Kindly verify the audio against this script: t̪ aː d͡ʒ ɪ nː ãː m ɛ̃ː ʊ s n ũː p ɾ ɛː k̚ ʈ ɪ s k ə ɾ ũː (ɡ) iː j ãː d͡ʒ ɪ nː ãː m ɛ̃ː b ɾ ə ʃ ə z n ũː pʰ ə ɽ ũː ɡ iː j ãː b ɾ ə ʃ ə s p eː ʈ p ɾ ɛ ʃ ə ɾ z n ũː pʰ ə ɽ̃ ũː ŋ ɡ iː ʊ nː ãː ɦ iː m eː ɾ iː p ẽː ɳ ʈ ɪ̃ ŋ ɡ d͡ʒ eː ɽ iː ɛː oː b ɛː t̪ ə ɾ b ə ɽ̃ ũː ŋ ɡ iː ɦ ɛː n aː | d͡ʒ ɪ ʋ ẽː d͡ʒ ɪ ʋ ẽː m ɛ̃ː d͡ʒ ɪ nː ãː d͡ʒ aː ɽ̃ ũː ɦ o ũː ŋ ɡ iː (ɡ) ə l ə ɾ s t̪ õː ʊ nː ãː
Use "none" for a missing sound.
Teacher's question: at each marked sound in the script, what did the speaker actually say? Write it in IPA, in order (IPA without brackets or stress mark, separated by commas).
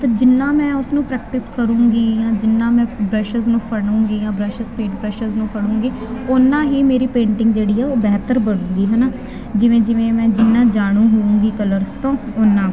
ɡ, k